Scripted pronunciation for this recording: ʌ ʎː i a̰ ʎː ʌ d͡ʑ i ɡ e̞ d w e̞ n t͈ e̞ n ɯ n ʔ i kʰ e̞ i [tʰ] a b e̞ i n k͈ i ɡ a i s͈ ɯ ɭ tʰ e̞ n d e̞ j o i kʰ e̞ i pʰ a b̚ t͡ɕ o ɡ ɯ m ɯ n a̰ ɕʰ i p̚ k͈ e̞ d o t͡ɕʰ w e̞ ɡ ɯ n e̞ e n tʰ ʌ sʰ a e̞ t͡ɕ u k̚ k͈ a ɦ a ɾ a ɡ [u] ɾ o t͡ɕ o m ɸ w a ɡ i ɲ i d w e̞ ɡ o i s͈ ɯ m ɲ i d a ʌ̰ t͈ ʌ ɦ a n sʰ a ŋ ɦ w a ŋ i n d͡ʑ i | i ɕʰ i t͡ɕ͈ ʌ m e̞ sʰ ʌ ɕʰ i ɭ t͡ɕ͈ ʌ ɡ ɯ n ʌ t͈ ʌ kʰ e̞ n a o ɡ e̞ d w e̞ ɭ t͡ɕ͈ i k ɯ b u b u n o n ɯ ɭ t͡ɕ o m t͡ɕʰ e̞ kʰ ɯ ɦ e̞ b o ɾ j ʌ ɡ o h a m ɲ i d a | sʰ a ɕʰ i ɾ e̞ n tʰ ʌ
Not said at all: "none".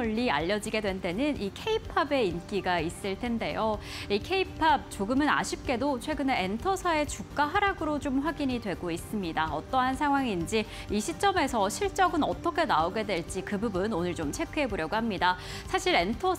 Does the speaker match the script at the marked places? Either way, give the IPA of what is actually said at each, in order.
pʰ, ɯ

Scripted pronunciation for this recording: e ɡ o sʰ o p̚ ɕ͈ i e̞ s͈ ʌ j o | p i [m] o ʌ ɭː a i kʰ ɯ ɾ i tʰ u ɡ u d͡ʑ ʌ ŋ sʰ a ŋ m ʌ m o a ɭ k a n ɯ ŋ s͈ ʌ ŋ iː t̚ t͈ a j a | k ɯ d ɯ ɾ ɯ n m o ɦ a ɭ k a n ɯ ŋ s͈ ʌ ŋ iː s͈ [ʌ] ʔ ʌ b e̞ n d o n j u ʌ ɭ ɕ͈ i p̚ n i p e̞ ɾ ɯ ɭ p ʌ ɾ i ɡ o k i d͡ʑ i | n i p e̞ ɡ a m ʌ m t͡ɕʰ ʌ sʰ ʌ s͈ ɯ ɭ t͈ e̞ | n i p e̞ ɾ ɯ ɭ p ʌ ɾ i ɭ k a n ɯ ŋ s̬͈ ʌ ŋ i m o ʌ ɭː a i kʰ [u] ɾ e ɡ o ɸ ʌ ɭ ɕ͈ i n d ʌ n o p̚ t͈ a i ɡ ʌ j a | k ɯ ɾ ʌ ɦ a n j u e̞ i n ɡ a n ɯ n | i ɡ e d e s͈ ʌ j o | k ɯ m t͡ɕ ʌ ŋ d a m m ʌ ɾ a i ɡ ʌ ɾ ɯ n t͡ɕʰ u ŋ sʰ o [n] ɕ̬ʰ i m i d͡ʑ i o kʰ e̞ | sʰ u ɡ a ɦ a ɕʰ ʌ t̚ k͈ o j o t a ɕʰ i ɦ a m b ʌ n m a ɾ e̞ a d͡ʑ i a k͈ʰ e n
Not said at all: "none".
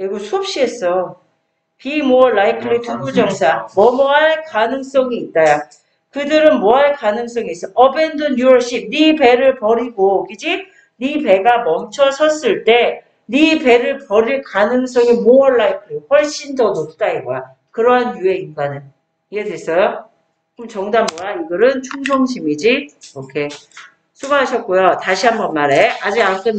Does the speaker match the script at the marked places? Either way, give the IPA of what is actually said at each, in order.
m, ʌ, ɯ, ŋ

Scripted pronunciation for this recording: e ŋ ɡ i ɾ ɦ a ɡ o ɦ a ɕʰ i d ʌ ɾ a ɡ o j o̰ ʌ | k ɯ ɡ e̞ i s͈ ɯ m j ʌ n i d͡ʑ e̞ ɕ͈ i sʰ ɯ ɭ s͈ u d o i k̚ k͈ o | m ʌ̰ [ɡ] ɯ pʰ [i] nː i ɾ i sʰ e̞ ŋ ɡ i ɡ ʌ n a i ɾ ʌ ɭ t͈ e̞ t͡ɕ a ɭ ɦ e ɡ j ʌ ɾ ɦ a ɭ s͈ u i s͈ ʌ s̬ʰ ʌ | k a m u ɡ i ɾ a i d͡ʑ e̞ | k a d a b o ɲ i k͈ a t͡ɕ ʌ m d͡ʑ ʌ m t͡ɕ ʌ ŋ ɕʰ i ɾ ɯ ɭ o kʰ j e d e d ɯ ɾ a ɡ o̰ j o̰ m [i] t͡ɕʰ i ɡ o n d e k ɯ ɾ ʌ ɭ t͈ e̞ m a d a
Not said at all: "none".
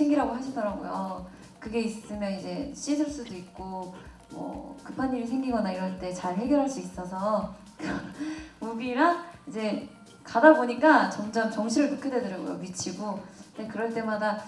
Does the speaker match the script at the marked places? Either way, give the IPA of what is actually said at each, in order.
k, a, i

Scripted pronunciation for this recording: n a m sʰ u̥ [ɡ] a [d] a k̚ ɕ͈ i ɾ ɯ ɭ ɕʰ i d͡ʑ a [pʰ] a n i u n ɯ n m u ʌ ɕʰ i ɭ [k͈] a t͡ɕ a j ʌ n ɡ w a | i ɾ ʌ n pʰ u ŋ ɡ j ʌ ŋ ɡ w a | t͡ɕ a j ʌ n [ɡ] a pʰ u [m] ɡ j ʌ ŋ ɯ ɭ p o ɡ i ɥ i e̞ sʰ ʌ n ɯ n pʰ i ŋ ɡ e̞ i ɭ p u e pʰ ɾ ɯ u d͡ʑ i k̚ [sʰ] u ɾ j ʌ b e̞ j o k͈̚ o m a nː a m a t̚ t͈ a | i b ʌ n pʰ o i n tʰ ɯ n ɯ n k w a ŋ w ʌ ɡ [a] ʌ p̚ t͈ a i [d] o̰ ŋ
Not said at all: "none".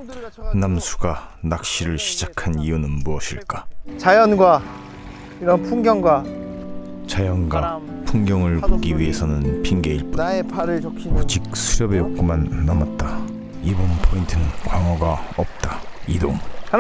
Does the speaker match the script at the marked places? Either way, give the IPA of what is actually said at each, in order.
ɡ, n, kʰ, k͈, ɡ, ŋ, sʰ, a, d

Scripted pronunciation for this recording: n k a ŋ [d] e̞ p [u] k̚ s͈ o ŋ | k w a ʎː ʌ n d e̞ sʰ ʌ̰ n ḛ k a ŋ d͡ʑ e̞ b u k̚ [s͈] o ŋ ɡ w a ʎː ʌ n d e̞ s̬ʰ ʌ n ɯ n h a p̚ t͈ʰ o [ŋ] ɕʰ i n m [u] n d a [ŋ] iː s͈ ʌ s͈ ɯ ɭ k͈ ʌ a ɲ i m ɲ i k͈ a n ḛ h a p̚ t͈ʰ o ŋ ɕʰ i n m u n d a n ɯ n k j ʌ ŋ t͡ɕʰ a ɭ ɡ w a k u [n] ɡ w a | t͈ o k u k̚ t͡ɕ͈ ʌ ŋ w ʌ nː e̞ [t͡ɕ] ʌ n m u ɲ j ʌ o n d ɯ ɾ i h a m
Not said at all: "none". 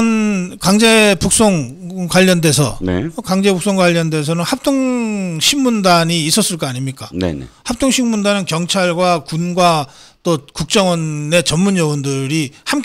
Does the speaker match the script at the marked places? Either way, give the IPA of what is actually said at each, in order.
d͡ʑ, u, s͈, ŋ, u, ɲ, n, t͡ɕ

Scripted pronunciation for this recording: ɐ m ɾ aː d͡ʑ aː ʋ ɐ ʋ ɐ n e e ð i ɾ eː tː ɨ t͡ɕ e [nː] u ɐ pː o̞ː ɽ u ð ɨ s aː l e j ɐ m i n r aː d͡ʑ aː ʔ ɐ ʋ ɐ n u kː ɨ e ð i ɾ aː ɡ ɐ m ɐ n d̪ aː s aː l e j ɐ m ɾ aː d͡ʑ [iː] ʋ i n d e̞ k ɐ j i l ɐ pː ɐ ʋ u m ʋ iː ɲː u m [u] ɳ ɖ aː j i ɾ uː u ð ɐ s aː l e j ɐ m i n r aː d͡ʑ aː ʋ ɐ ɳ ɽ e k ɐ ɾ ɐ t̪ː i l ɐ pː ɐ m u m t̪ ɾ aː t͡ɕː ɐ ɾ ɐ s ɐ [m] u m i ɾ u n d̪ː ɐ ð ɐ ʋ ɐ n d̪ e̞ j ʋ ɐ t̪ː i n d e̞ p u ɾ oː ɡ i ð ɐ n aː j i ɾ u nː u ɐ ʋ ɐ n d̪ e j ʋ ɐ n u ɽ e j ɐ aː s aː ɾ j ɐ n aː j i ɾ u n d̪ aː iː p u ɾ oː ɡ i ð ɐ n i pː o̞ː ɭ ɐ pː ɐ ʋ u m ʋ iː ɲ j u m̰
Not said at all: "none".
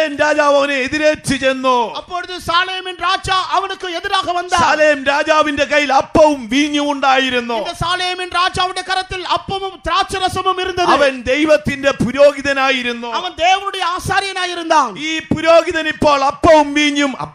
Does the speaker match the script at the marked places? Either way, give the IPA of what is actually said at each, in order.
nː, aː, u, m

